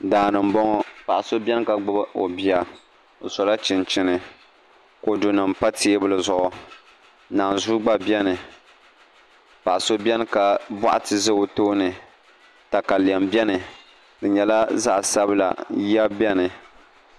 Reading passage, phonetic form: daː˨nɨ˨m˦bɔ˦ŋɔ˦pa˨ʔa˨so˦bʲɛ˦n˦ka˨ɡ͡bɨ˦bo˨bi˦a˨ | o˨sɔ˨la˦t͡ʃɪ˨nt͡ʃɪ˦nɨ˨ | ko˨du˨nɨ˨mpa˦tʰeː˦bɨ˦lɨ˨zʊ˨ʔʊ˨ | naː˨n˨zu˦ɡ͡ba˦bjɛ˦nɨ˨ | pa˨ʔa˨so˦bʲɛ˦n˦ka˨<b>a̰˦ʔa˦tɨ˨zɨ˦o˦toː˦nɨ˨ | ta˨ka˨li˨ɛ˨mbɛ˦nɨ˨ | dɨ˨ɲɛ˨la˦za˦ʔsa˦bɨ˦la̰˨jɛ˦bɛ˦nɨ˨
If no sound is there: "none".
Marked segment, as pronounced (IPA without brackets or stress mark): b